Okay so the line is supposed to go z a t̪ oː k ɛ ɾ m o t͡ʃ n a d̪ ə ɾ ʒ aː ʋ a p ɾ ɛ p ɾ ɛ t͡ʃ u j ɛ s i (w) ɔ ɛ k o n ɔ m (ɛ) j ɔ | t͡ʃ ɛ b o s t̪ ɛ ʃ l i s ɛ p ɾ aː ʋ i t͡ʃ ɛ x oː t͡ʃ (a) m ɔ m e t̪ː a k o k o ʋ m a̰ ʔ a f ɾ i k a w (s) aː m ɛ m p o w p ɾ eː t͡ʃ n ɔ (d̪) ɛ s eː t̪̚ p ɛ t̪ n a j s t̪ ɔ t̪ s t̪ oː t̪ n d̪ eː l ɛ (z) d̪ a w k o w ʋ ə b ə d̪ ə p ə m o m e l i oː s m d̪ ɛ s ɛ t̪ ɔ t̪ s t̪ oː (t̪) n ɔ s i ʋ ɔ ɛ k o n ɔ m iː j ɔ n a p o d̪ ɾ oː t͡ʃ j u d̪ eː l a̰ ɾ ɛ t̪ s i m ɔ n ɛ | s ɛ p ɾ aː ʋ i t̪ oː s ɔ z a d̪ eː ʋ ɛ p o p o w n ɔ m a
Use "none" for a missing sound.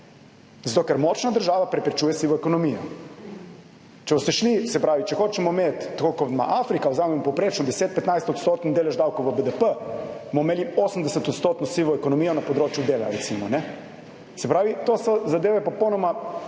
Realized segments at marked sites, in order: ʋ, i, ɛ, z, d̪, ʒ, t̪

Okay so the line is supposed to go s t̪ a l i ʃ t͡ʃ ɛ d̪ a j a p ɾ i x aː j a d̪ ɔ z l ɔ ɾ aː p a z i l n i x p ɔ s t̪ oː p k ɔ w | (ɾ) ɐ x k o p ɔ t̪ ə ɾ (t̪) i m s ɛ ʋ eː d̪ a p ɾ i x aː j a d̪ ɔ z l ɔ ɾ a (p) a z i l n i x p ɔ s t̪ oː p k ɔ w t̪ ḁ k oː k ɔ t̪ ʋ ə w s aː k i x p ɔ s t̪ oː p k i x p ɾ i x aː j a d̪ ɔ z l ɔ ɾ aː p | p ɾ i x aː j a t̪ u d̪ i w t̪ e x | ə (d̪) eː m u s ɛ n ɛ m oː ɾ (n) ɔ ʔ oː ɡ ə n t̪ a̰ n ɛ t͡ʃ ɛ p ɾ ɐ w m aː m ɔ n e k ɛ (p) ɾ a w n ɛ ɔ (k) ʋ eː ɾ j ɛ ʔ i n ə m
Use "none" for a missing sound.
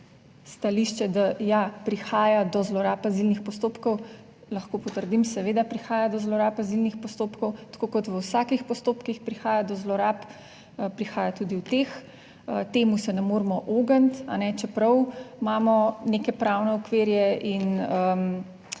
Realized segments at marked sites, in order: l, d̪, p, t̪, m, p, k

